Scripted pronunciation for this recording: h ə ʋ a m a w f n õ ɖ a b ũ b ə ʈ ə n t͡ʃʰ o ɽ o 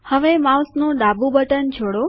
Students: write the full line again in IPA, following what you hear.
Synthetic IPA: h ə ʋ e m a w s n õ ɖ a b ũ b ə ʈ ə n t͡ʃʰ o ɽ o